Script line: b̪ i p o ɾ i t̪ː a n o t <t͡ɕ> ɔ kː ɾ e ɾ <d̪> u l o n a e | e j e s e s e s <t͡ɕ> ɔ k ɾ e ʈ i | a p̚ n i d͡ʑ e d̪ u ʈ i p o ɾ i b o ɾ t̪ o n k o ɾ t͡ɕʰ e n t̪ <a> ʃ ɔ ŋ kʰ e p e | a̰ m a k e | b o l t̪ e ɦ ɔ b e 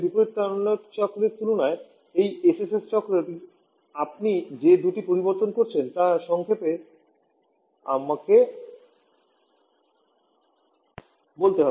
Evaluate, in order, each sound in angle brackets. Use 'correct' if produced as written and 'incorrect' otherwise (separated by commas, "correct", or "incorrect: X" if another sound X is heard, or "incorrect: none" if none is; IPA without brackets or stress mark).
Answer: correct, incorrect: t̪, correct, correct